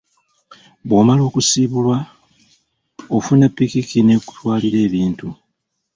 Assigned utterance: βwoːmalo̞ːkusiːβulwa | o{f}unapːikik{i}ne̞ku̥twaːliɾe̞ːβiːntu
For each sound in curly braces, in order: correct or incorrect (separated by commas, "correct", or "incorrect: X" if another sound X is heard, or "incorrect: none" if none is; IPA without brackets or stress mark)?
correct, correct